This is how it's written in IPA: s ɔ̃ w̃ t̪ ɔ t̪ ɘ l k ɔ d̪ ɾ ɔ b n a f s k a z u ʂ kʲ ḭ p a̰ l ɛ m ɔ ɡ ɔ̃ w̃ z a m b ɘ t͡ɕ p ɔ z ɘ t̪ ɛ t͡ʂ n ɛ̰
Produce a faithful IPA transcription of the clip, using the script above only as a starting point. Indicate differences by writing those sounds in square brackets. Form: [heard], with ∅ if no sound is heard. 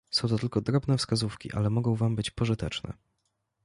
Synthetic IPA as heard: s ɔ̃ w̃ t̪ ɔ t̪ ɘ l k ɔ d̪ ɾ ɔ b n [ɛ] f s k a z u [f] kʲ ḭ [ʔ] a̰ l ɛ m ɔ ɡ ɔ̃ w̃ [v] a m b ɘ t͡ɕ p ɔ [ʐ] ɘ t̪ ɛ t͡ʂ n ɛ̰